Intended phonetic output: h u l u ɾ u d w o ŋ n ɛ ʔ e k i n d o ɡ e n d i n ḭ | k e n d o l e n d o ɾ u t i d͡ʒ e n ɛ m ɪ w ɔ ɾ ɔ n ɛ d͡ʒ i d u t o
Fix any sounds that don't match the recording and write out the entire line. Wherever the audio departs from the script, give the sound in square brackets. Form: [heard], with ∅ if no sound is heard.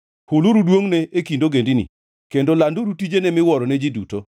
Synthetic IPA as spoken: h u l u ɾ u d w o ŋ n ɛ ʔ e k i n d o ɡ e n d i n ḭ | k e n d o l [a] n d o ɾ u t i d͡ʒ e n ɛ m ɪ w ɔ ɾ ɔ n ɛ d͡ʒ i d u t o